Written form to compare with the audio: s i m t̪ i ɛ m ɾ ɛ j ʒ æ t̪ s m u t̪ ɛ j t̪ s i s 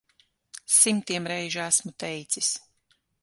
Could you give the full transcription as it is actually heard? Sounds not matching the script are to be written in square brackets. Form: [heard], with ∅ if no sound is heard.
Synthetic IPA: s i m t̪ i ɛ m ɾ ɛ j ʒ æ [∅] s m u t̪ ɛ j t̪ s i s

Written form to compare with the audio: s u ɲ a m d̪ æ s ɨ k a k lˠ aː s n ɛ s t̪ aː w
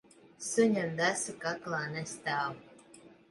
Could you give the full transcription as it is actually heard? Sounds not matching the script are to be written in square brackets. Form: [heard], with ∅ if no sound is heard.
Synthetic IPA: s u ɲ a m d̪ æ s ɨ k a k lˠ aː [∅] n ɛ s t̪ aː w

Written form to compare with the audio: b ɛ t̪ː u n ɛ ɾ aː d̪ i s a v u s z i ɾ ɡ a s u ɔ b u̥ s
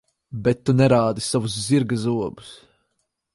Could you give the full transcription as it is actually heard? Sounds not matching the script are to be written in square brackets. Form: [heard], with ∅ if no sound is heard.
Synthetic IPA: b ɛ t̪ː u n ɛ ɾ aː d̪ i s a v u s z i ɾ ɡ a [z] u ɔ b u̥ s

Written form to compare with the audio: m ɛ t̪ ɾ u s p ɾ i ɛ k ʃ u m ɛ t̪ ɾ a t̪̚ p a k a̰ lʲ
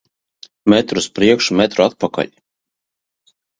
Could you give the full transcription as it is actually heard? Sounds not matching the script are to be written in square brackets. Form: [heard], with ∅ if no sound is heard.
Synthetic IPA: m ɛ t̪ ɾ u s p ɾ i ɛ k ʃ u m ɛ t̪ ɾ a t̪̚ p a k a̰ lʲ

